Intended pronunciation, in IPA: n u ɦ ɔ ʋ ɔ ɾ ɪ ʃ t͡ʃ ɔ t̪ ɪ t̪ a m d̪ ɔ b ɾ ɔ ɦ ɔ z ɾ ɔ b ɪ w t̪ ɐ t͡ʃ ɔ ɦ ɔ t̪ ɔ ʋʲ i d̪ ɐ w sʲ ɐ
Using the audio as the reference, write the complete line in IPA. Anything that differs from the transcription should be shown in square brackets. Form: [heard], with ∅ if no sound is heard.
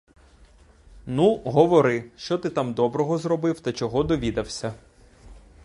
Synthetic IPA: n u ɦ ɔ ʋ ɔ ɾ ɪ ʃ t͡ʃ ɔ t̪ ɪ t̪ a m d̪ ɔ b ɾ ɔ ɦ ɔ z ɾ ɔ b ɪ w t̪ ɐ t͡ʃ ɔ ɦ ɔ [d̪] ɔ ʋʲ i d̪ ɐ w sʲ ɐ